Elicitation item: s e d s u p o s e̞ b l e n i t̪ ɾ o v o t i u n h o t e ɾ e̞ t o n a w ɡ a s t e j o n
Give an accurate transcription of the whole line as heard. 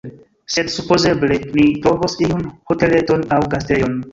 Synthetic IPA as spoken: s e d s u p o z e̞ b l e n i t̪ ɾ o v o s i u n h o t e l e̞ t o n a w ɡ a s t e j o n